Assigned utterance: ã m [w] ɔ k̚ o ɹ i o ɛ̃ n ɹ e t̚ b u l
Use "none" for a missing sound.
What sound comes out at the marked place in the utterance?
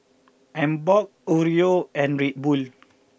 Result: b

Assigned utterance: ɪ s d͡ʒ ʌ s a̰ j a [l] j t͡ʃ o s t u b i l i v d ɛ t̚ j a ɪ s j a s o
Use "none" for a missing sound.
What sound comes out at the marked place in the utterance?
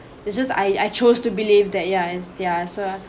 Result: none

